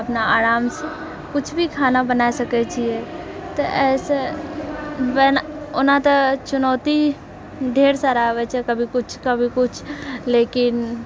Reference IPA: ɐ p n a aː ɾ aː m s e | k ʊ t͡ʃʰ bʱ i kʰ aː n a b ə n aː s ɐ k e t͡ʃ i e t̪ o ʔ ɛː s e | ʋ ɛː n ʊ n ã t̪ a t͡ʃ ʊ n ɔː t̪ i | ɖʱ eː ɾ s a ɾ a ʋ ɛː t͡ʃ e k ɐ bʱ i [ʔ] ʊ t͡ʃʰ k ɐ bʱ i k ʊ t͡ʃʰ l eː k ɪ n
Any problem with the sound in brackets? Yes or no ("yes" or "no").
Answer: yes